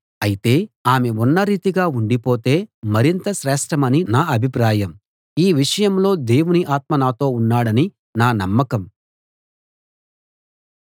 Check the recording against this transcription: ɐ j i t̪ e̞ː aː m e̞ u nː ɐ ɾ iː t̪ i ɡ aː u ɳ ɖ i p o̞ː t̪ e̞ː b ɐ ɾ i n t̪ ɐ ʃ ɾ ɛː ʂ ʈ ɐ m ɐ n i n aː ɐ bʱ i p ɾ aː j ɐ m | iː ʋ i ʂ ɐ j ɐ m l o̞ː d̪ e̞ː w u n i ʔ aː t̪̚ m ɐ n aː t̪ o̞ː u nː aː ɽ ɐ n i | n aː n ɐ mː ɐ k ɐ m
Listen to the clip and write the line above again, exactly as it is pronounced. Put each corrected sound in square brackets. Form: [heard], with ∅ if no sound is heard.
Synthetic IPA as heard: ɐ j i t̪ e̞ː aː m e̞ u nː ɐ ɾ iː t̪ i ɡ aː u ɳ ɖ i p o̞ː t̪ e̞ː [m] ɐ ɾ i n t̪ ɐ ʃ ɾ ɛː ʂ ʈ ɐ m ɐ n i n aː ɐ bʱ i p ɾ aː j ɐ m | iː ʋ i ʂ ɐ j ɐ m l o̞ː d̪ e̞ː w u n i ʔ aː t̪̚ m ɐ n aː t̪ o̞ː u nː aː ɽ ɐ n i | n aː n ɐ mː ɐ k ɐ m